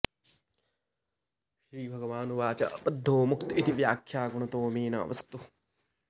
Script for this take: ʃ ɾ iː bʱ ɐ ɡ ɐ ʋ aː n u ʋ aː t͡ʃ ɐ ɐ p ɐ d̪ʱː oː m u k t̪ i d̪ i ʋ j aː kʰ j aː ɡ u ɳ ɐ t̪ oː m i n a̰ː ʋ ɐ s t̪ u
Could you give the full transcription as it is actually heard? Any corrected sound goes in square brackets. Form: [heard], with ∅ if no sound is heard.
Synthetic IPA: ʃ ɾ iː bʱ ɐ ɡ ɐ ʋ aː n u ʋ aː t͡ʃ ɐ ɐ p ɐ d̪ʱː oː m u k t̪ i [t̪] i ʋ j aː kʰ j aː ɡ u ɳ ɐ t̪ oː m [iː] n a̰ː ʋ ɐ s t̪ u